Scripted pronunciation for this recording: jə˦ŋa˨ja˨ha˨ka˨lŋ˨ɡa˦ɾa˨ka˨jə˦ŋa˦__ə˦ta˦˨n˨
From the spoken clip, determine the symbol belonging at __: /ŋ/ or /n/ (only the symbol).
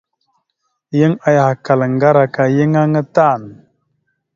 ŋ